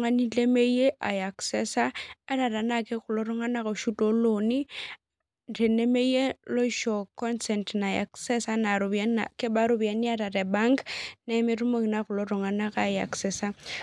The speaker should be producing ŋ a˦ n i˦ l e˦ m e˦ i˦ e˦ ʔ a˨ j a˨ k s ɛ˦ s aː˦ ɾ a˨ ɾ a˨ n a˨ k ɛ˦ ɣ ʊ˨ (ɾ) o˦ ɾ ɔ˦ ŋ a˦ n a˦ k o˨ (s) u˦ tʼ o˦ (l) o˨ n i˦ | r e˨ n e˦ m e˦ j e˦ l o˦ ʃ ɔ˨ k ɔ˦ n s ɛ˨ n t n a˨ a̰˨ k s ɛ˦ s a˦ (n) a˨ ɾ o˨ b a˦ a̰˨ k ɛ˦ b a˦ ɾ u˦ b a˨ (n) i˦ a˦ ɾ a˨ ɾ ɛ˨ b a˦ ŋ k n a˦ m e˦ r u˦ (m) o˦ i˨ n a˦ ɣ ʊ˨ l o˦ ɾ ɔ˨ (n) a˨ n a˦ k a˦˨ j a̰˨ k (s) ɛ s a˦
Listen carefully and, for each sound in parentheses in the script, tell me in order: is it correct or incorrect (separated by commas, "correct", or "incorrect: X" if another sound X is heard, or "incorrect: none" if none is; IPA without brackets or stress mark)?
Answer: incorrect: l, incorrect: ʃ, correct, correct, correct, correct, incorrect: ŋ, correct